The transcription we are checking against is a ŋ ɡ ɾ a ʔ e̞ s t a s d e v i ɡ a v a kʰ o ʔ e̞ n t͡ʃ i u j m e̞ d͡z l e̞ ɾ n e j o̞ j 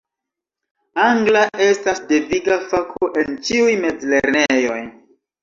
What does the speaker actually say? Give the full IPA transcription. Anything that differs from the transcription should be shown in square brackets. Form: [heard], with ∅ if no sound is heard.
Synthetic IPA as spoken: a ŋ ɡ [l] a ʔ e̞ s t a s d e v i ɡ a [f] a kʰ o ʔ e̞ n t͡ʃ i u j m e̞ d͡z l e̞ ɾ n e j o̞ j

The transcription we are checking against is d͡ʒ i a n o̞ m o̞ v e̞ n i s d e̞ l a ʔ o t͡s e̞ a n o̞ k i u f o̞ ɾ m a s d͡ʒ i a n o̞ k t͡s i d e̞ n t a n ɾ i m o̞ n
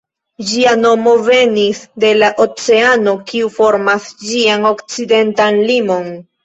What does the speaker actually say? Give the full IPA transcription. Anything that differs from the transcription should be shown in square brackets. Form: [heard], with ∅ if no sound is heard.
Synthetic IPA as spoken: d͡ʒ i a n o̞ m o̞ v e̞ n i s d e̞ l a ʔ o t͡s e̞ a n o̞ k i u f o̞ ɾ m a s d͡ʒ i a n o̞ k t͡s i d e̞ n t a n [l] i m o̞ n

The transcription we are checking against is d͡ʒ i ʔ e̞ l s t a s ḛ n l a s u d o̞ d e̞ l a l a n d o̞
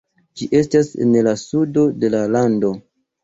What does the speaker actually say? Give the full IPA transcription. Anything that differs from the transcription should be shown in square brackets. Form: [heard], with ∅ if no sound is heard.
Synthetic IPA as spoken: d͡ʒ i ʔ e̞ [∅] s t a s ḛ n l a s u d o̞ d e̞ l a l a n d o̞

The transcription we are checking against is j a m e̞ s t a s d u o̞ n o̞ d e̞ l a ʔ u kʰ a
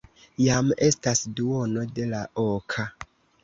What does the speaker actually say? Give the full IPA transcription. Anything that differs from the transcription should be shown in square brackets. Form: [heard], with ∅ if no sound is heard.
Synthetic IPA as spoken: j a m e̞ s t a s d u o̞ n o̞ d e̞ l a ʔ [o] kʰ a

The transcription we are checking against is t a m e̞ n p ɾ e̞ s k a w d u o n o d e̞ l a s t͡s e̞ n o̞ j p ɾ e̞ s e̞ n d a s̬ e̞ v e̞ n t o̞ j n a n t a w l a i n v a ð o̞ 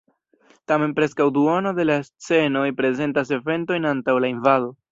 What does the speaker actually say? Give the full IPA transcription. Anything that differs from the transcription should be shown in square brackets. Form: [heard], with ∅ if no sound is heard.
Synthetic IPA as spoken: t a m e̞ n p ɾ e̞ s k a w d u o n o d e̞ l a s t͡s e̞ n o̞ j p ɾ e̞ [z] e̞ n [t] a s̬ e̞ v e̞ n t o̞ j n a n t a w l a i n v a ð o̞

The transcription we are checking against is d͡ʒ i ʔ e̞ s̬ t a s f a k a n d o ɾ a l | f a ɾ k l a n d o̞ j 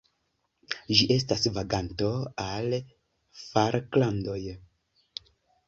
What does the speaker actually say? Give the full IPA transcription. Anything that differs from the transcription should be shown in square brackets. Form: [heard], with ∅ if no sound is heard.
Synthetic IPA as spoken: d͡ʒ i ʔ e̞ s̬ t a s [v] a [ɡ] a n [t] o [∅] a l | f a ɾ k l a n d o̞ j

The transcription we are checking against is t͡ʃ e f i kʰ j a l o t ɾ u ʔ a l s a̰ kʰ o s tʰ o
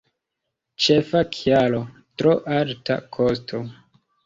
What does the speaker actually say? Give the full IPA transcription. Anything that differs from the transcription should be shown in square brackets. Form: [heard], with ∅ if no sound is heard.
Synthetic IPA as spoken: t͡ʃ e f [a] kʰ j a l o t ɾ [o] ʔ a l [t] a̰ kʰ o s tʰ o

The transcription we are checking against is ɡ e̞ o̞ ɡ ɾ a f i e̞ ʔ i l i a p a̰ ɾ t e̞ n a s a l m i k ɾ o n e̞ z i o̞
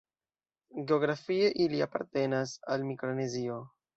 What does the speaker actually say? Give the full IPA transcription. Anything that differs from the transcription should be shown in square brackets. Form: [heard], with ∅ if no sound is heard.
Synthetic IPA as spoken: ɡ e̞ o̞ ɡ ɾ a f i e̞ ʔ i l i a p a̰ ɾ t e̞ n a s a l m i k ɾ o n e̞ z i o̞

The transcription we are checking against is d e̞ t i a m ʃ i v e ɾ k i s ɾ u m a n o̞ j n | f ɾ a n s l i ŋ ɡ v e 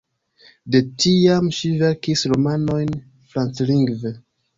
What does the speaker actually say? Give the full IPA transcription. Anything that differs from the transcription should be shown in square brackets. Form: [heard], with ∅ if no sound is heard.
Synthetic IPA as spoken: d e̞ t i a m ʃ i v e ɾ k i s ɾ [o] m a n o̞ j n | f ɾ a n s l i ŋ ɡ v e

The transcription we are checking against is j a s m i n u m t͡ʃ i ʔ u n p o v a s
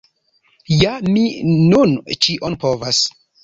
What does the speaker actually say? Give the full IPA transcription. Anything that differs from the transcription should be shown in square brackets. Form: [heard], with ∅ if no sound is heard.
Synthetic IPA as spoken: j a [∅] m i n u [n] t͡ʃ i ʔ [o] n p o v a s

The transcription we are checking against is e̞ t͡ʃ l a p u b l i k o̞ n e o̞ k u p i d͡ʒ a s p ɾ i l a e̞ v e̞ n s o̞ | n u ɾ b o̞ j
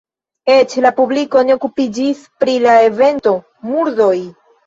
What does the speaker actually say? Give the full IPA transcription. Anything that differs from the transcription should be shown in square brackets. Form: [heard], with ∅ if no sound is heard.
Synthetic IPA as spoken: e̞ t͡ʃ l a p u b l i k o̞ n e o̞ k u p i d͡ʒ [i] s p ɾ i l a e̞ v e̞ n [t] o̞ | [m] u ɾ [d] o̞ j

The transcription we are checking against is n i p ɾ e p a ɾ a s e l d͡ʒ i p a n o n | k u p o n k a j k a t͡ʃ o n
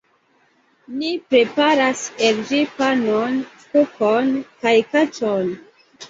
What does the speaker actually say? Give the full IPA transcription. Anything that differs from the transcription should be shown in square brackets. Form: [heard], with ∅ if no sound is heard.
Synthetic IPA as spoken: n i p ɾ e p a ɾ a s e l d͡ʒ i p a n o n | k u [k] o n k a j k a t͡ʃ o n

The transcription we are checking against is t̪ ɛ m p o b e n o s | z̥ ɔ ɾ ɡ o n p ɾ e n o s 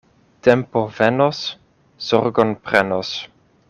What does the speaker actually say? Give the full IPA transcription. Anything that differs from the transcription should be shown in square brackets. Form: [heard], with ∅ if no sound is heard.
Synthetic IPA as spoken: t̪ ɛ m p o [v] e n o s | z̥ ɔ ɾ ɡ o n p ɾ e n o s

